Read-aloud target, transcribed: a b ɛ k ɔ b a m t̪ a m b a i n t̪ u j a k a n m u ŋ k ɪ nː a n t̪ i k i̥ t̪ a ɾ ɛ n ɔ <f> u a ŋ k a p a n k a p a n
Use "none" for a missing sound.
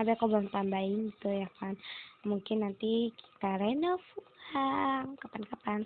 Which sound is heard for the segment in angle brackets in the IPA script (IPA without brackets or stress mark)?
f